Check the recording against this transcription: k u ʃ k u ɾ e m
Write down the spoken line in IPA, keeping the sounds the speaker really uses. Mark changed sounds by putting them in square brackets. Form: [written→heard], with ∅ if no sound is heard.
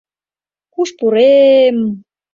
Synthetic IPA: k u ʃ [k→p] u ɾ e m